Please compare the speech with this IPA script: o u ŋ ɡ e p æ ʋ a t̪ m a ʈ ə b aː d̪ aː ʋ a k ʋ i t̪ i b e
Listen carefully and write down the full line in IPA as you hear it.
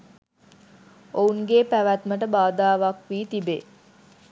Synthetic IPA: o u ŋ ɡ e p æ ʋ æ t̪ m ə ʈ ə b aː d̪ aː ʋ a k ʋ iː t̪ i b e